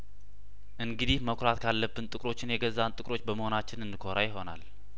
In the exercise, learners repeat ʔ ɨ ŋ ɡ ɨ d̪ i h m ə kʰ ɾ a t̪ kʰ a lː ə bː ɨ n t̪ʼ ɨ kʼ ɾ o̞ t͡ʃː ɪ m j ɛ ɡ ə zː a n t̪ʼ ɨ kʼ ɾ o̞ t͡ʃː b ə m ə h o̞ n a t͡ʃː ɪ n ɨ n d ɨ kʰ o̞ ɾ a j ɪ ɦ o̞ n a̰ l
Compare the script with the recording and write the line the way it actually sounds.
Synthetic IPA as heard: ʔ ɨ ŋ ɡ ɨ d̪ i h m ə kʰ ɾ a t̪ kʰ a lː ə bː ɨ n t̪ʼ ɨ kʼ ɾ o̞ t͡ʃː ɪ n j ɛ ɡ ə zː a n t̪ʼ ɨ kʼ ɾ o̞ t͡ʃː b ə m ə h o̞ n a t͡ʃː ɪ n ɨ n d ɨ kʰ o̞ ɾ a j ɪ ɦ o̞ n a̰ l